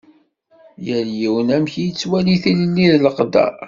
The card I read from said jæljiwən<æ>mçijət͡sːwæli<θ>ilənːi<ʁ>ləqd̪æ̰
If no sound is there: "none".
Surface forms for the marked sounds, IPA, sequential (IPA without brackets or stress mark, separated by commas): æ, θ, ð